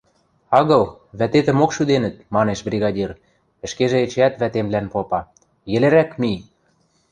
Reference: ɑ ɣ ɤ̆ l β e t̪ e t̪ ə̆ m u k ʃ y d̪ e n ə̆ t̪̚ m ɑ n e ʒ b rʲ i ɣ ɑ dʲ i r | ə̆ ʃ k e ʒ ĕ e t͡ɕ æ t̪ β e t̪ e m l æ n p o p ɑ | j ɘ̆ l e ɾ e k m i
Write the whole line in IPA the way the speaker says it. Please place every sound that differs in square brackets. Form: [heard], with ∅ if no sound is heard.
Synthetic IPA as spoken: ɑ ɣ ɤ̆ l β [æ] t̪ e t̪ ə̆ m [o] k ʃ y d̪ e n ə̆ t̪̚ m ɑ n e [ʃ] b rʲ i ɣ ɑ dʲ i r | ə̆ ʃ k e ʒ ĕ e t͡ɕ æ t̪ β [æ] t̪ e m l æ n p o p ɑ | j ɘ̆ l e ɾ [æ] k m i

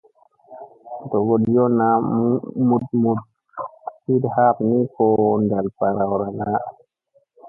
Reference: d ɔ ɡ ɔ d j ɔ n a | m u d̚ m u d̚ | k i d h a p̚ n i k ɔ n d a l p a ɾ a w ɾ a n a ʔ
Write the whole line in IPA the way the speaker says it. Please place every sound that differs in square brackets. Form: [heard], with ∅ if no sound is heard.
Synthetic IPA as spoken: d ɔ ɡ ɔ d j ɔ n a | m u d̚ m u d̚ | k i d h a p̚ n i k ɔ n d a l p a ɾ a w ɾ a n a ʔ

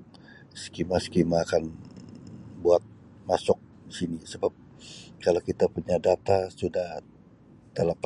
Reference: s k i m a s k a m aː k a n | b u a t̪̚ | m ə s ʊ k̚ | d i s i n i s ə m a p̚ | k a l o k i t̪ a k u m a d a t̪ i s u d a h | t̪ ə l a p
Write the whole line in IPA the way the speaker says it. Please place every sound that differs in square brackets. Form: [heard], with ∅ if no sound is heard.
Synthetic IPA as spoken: s k i m a s k [i] m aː k a n | b u a t̪̚ | m [a] s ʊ k̚ | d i s i n i s ə [b] a p̚ | k a l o k i t̪ a [p] u [ɲ] a d a t̪ [a] s u d a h | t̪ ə l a p

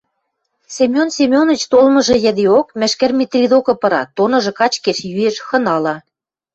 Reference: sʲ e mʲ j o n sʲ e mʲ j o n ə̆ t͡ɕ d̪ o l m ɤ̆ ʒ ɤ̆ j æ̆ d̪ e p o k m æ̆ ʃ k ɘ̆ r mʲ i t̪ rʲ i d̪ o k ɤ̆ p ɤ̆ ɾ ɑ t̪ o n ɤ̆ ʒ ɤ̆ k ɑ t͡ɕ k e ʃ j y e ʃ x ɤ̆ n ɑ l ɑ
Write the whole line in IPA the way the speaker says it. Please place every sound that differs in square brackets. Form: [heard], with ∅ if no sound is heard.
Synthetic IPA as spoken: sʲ e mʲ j o n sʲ e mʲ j o n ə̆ t͡ɕ [t̪] o l m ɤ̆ ʒ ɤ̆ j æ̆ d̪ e [∅] o k m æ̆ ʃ k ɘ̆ r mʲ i t̪ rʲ i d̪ o k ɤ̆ p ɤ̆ ɾ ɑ t̪ o n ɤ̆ ʒ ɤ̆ k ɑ t͡ɕ k e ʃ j y e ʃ x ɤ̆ n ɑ l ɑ

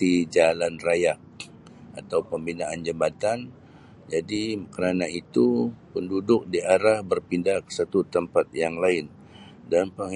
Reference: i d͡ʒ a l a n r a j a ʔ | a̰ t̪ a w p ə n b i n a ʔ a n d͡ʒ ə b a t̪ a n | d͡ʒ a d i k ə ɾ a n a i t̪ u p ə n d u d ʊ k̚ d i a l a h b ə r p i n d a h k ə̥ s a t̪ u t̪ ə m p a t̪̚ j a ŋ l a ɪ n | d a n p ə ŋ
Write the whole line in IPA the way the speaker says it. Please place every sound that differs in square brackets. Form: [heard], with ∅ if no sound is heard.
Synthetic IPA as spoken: i d͡ʒ a l a n r a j a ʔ | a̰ t̪ a w p ə [m] b i n a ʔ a n d͡ʒ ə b a t̪ a n | d͡ʒ a d i k ə ɾ a n a i t̪ u p ə n d u d ʊ k̚ d i a [ɾ] a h b ə r p i n d a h k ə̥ s a t̪ u t̪ ə m p a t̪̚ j a ŋ l a ɪ n | d a n p ə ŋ

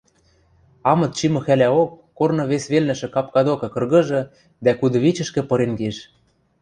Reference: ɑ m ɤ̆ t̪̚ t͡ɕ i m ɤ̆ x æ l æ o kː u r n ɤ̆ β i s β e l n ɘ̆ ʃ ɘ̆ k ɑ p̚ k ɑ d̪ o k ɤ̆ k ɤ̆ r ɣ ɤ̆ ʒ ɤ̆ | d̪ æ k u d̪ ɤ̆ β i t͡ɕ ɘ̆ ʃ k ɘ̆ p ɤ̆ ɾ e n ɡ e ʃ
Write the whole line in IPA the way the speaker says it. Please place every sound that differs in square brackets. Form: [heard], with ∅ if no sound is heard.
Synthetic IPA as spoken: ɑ m ɤ̆ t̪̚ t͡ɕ i m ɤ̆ x æ l æ o kː [o] r n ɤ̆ β [e] s β e l n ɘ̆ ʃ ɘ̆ k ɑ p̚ k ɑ d̪ o k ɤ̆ k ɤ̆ r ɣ ɤ̆ ʒ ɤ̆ | d̪ æ k u d̪ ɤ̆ β i t͡ɕ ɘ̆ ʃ k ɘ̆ p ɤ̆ ɾ e n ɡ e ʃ

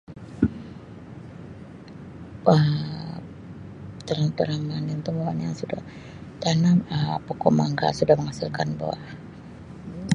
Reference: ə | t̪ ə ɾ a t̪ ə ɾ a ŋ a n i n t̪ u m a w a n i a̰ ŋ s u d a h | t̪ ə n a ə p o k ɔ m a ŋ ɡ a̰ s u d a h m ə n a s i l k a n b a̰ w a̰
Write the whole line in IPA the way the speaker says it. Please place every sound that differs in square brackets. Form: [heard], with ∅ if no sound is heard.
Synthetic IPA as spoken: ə | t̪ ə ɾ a t̪ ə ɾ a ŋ a n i n t̪ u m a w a n [j] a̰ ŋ s u d a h | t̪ [a] n a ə p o k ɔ m a ŋ ɡ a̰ s u d a h m ə [ŋ] a s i l k a n b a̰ w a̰

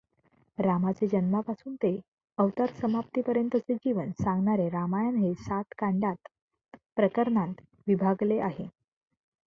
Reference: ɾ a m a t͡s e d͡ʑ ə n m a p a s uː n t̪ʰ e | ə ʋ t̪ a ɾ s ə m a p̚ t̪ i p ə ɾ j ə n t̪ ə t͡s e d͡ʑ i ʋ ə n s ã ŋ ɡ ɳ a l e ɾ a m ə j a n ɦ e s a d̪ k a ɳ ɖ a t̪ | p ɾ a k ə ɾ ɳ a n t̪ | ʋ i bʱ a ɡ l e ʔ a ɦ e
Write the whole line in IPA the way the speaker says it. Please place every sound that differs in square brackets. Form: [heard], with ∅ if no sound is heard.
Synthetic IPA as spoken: ɾ a m a t͡s e d͡ʑ ə n m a p a s uː n [t̪] e | ə ʋ t̪ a ɾ s ə m a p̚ t̪ i p ə ɾ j ə n t̪ ə t͡s e d͡ʑ i ʋ ə n s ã ŋ ɡ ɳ a [ɾ] e ɾ a m [a] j a n ɦ e s a [t̪] k a ɳ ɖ a t̪ | p ɾ [ə] k ə ɾ ɳ a n t̪ | ʋ i bʱ a ɡ l e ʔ a ɦ e

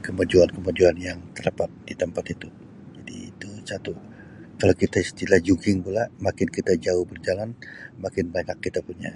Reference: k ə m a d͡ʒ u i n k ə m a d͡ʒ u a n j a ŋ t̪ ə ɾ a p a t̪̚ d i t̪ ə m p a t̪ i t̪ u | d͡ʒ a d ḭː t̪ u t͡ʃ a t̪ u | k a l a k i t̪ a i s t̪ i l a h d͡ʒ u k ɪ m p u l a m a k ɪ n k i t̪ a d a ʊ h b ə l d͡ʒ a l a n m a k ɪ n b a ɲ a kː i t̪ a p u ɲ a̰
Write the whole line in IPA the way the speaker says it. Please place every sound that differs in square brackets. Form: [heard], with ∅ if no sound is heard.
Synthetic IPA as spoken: k ə m a d͡ʒ u [a] n k ə m a d͡ʒ u a n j a ŋ t̪ ə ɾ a p a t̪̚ d i t̪ ə m p a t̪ i t̪ u | d͡ʒ a d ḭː t̪ u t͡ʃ a t̪ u | k a l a k i t̪ a i s t̪ i l a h d͡ʒ u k ɪ [ŋ] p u l a m a k ɪ n k i t̪ a [d͡ʒ] a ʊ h b ə [r] d͡ʒ a l a n m a k ɪ n b a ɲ a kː i t̪ a p u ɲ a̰

